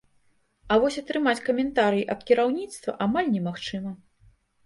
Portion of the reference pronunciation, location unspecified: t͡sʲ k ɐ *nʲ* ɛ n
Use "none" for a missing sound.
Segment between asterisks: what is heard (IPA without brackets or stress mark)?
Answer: mʲ